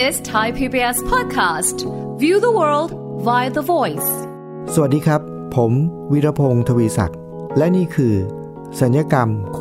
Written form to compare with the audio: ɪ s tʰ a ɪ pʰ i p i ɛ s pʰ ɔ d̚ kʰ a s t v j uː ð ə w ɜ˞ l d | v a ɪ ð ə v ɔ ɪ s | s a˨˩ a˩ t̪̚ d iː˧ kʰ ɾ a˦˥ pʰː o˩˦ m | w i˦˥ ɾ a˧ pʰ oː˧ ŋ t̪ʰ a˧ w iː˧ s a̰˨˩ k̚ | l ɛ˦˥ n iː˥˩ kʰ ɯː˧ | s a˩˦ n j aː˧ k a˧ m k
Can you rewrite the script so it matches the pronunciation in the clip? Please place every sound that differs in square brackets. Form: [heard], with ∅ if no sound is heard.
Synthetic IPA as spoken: ɪ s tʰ a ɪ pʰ i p i ɛ s pʰ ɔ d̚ kʰ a s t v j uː ð ə w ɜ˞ l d | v a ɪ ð ə v ɔ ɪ s | s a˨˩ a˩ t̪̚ d iː˧ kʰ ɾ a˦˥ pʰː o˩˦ m | w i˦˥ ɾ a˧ pʰ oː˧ ŋ t̪ʰ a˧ w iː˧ s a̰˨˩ k̚ | l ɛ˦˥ n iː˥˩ kʰ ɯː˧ | s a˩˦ n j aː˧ k a˧ m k